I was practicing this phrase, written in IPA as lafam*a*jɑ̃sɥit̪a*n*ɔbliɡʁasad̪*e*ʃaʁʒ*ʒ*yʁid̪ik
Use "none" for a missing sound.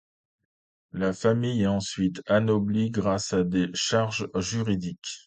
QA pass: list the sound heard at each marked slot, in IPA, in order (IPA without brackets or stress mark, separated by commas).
i, n, e, ʒ